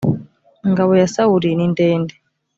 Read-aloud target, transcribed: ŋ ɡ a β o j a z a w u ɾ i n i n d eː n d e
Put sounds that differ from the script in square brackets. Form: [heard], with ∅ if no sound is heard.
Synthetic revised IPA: ŋ ɡ a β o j a [s] a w u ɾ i n i n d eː n d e